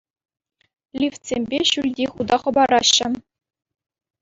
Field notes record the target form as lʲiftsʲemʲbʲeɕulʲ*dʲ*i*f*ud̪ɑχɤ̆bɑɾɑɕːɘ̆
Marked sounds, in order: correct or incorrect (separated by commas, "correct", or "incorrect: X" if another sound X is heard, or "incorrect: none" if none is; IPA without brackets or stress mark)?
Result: correct, incorrect: χ